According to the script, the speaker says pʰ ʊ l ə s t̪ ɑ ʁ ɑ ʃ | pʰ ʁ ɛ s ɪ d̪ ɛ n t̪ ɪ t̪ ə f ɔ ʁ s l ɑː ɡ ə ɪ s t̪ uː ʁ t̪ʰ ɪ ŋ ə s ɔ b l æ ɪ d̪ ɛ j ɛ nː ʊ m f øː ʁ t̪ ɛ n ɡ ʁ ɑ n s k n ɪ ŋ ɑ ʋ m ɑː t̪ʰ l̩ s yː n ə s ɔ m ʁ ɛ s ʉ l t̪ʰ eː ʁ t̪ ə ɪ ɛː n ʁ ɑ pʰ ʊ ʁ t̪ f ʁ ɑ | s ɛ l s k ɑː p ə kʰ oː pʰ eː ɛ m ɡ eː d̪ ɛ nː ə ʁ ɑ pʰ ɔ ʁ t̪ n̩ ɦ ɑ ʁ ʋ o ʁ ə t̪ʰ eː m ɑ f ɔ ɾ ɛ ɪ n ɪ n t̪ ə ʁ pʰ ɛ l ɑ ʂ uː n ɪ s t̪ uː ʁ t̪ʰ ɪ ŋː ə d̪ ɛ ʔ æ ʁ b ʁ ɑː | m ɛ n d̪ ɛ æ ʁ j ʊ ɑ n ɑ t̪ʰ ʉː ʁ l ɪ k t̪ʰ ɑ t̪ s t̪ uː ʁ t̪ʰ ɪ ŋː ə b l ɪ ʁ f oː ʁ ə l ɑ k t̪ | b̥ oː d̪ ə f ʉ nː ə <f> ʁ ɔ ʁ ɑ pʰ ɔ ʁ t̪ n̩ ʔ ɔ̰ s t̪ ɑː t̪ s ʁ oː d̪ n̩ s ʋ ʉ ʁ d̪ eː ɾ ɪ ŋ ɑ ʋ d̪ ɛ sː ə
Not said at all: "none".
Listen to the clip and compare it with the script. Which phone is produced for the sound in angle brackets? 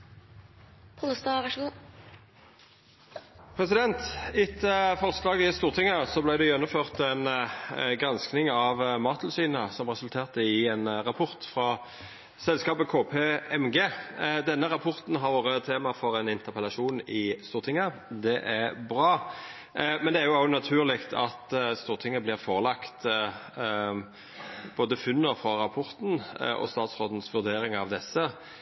f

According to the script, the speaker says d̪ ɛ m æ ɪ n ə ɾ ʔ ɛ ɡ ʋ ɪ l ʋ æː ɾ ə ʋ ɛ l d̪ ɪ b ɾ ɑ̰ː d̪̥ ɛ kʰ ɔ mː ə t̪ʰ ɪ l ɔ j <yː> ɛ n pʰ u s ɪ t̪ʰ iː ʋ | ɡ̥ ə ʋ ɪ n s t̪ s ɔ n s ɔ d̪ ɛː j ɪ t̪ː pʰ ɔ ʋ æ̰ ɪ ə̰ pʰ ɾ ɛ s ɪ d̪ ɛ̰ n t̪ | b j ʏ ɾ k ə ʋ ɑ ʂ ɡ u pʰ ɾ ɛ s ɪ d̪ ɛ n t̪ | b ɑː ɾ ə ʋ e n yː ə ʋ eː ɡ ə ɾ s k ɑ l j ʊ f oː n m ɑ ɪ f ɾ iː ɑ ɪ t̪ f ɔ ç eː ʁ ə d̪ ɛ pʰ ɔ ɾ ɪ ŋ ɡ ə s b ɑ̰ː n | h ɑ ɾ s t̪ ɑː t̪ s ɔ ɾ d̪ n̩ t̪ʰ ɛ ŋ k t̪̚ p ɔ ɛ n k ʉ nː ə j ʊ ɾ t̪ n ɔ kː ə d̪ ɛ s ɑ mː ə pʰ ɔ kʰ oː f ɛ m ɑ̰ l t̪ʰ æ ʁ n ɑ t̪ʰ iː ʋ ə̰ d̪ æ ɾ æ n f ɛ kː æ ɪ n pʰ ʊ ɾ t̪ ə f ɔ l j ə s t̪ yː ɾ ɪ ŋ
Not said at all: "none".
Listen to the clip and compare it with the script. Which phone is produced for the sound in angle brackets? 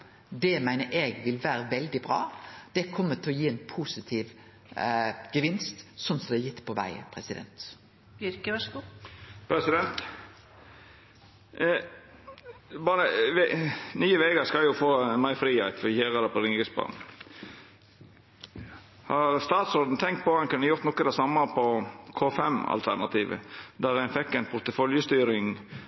iː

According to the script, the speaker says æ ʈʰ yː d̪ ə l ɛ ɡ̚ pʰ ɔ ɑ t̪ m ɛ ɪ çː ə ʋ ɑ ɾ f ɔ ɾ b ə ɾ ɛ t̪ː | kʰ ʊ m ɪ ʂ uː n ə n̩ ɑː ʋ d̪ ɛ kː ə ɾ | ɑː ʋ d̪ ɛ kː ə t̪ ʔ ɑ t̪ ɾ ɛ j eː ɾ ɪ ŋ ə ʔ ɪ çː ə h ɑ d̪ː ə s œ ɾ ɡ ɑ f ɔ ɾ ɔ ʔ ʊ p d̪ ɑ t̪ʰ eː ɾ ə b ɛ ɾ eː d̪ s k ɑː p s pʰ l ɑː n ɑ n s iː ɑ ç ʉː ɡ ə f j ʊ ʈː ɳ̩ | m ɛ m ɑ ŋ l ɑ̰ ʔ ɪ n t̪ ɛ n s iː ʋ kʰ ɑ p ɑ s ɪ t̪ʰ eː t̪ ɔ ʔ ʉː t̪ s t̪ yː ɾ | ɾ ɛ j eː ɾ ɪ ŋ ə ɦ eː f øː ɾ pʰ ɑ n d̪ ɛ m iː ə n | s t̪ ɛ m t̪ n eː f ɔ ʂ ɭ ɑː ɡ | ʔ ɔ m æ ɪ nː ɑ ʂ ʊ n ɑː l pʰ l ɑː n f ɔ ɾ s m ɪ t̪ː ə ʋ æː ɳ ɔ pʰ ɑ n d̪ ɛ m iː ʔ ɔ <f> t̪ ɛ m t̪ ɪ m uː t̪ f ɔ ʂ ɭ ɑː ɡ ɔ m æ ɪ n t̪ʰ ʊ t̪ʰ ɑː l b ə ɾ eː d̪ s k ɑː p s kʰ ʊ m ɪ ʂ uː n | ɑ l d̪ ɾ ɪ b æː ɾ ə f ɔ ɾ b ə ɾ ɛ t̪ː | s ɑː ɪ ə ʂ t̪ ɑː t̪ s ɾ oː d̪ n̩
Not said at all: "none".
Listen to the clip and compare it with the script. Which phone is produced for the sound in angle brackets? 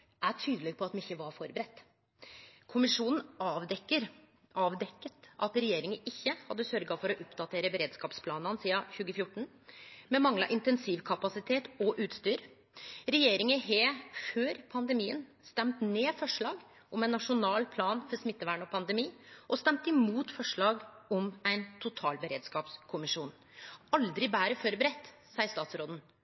s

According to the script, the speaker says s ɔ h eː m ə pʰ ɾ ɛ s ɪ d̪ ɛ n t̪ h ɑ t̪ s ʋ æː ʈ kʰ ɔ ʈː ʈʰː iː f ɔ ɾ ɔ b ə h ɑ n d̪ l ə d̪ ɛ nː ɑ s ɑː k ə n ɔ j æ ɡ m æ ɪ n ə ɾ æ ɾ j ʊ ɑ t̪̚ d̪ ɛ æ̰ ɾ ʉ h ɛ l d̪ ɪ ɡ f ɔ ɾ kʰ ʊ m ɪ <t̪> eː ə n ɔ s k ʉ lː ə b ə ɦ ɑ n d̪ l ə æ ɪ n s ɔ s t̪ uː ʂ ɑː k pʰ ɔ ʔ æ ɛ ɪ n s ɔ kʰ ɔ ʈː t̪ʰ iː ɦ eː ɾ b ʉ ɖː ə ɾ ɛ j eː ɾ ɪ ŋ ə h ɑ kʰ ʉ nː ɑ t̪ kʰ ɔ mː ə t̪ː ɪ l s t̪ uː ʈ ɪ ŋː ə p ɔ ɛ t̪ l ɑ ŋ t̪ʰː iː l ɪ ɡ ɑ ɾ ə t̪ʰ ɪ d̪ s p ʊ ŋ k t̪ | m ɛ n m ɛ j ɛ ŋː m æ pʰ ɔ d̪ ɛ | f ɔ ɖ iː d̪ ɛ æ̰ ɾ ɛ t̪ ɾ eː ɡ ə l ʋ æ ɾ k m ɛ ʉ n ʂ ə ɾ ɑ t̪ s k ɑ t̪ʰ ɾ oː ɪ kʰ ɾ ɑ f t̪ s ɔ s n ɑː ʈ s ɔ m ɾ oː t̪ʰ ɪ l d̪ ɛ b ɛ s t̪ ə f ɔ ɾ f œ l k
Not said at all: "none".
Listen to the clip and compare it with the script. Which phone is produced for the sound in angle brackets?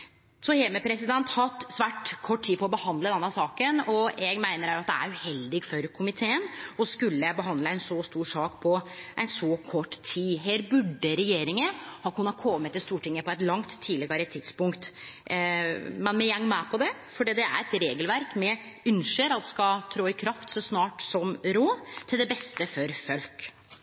t̪ʰ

